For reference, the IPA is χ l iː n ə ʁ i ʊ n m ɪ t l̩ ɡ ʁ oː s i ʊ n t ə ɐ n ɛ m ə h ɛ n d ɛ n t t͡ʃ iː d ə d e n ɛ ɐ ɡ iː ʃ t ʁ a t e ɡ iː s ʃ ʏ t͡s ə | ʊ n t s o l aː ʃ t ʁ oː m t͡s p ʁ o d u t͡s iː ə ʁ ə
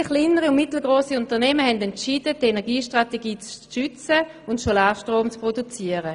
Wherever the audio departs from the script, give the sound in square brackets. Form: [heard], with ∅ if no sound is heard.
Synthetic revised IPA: χ l iː n ə ʁ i ʊ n m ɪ t l̩ ɡ ʁ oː s i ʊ n t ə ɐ n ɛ m ə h ɛ n d ɛ n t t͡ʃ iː d ə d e n ɛ ɐ ɡ iː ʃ t ʁ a t e ɡ iː [t͡s] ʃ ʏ t͡s ə | ʊ n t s o l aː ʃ t ʁ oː m t͡s p ʁ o d u t͡s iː ə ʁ ə

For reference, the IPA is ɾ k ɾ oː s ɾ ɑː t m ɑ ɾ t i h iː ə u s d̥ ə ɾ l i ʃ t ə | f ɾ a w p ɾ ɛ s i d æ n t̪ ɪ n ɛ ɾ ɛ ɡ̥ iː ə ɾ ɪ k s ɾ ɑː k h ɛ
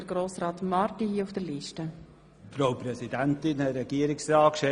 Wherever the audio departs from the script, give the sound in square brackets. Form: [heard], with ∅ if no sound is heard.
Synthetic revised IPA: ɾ [ɡ] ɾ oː s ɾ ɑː t m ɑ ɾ t i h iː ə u [f] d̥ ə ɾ l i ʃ t ə | f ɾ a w p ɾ ɛ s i d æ n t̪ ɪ n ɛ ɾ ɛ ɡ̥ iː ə ɾ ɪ k s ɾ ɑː k [ʃ] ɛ

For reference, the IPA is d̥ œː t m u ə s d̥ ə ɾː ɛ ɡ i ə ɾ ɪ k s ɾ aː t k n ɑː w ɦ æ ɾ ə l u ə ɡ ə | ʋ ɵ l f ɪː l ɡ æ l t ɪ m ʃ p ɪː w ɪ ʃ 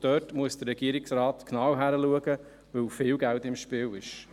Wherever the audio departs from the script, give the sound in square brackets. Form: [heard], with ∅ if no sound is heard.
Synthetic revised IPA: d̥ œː t m u ə s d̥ ə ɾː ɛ ɡ i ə ɾ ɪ k s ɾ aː t k n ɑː w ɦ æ ɾ ə l u ə ɡ ə | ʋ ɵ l f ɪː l ɡ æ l t ɪ m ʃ p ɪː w ɪ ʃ

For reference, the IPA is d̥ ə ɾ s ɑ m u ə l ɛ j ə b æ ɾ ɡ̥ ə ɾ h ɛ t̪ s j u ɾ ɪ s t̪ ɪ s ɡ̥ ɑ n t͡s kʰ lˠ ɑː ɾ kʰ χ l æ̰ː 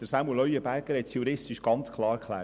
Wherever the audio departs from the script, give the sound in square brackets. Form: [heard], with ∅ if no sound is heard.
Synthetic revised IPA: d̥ ə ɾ s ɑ m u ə l [œ] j ə b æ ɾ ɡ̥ ə ɾ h ɛ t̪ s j u ɾ ɪ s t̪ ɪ [ʃ] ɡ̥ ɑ n t͡s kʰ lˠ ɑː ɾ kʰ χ l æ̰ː

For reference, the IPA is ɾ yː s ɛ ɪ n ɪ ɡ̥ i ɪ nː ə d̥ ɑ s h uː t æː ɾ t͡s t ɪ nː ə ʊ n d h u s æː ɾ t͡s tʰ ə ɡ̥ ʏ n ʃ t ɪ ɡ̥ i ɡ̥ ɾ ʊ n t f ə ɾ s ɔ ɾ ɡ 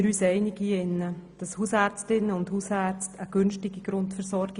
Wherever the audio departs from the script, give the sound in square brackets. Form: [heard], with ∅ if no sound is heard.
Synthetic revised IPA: ɾ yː s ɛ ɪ n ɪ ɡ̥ i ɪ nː ə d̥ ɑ s h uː [s] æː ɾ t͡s t ɪ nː ə ʊ n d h u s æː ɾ t͡s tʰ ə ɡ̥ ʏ n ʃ t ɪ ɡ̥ i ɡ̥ ɾ ʊ n t f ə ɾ s ɔ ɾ ɡ

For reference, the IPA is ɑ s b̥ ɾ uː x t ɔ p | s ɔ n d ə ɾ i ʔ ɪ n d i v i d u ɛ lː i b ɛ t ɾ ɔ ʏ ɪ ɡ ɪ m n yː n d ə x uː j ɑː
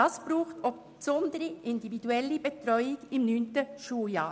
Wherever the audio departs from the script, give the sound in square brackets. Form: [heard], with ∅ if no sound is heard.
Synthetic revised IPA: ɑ s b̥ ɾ uː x t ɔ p | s ɔ n d ə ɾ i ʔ ɪ n d i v i d u ɛ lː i b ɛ t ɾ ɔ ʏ ɪ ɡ ɪ m n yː n [t] ə [ʃ] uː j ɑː

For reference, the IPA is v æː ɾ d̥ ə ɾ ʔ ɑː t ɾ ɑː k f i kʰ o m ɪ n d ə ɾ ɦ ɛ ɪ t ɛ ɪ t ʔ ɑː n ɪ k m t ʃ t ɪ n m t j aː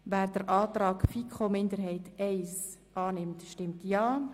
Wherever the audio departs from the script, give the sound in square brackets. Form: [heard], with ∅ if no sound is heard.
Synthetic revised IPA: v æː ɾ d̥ ə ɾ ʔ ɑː t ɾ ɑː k f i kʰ o m ɪ n d ə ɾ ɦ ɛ ɪ t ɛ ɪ [s] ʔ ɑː n ɪ [∅] m t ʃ t ɪ [∅] m t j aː

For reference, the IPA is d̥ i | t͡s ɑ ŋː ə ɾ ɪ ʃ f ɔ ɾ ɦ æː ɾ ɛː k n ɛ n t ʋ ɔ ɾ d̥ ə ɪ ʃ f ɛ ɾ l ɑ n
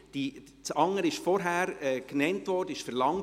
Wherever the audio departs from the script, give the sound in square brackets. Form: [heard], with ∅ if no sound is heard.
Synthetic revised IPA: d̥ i | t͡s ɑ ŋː ə ɾ ɪ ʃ f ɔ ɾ ɦ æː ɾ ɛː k n ɛ n t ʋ ɔ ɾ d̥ ə ɪ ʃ f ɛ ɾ l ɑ [ŋ]

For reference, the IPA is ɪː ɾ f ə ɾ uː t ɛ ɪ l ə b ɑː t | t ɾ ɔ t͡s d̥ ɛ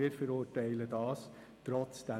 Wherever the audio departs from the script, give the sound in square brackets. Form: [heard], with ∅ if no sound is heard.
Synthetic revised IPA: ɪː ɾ f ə ɾ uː t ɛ ɪ l ə [d] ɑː [s] | t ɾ ɔ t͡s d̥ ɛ

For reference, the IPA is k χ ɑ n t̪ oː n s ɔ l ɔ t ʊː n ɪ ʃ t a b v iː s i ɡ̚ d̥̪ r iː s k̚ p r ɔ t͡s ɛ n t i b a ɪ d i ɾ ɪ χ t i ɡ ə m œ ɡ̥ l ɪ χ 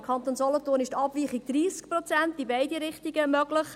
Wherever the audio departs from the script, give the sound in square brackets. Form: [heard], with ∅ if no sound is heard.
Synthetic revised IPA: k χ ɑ n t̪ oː n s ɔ l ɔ t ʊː n ɪ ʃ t [ɑ] b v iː [χ] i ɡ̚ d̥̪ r iː s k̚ p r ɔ t͡s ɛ n t i b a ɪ d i ɾ ɪ χ t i ɡ ə m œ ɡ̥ l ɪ χ

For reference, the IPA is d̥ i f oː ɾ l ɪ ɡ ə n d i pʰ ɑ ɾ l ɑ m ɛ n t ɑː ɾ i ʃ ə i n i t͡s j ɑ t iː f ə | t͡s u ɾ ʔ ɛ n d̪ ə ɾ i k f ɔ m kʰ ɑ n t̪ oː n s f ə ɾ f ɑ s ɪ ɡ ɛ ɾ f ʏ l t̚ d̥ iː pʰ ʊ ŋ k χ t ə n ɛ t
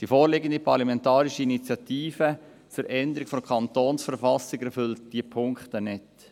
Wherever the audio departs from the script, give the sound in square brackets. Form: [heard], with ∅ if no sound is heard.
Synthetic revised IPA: d̥ i f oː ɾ l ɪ ɡ ə n d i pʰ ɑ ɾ l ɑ m ɛ n t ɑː ɾ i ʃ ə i n i t͡s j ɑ t iː f ə | t͡s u ɾ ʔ ɛ n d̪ ə ɾ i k f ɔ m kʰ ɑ n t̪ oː n s f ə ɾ f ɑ s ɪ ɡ ɛ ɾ f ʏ l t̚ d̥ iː pʰ ʊ ŋ k χ t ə n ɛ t

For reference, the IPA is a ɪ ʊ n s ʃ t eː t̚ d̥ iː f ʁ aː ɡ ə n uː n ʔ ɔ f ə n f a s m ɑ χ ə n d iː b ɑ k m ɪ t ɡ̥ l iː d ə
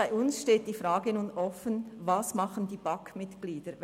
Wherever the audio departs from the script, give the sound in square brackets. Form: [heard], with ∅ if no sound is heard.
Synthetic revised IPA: a ɪ ʊ n s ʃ t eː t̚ d̥ iː f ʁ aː ɡ ə n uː n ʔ ɔ f ə n [v] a s m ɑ χ ə n d iː b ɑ k m ɪ t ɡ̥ l iː d ə

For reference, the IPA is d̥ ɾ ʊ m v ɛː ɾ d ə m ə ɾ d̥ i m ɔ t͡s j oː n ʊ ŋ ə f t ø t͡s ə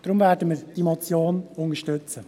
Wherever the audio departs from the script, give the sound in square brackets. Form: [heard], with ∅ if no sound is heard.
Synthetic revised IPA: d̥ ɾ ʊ m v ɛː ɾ d ə m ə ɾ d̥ i m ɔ t͡s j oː n ʊ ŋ ə [ʃ] t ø t͡s ə

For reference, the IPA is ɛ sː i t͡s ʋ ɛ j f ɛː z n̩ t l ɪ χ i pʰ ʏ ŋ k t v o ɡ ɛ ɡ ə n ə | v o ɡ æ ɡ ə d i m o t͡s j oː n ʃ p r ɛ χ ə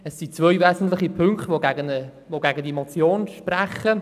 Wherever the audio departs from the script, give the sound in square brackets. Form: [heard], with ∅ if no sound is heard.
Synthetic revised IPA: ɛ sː i t͡s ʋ [œ] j [v] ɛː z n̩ t l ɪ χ i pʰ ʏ ŋ k t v o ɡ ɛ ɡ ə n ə | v o ɡ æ ɡ ə d i m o t͡s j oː n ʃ p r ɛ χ ə

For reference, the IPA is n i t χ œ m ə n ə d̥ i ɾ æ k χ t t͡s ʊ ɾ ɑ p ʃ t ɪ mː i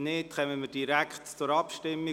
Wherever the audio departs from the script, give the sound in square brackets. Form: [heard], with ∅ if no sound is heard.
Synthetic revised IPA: n [ɪ] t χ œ m ə [m] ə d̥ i ɾ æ k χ t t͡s ʊ ɾ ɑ p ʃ t ɪ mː i

